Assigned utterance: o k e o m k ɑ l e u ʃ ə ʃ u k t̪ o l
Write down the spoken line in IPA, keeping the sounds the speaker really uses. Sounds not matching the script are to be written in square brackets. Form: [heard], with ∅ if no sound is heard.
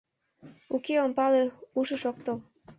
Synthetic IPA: [u] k e o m [p] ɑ l e u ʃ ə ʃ [o] k t̪ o l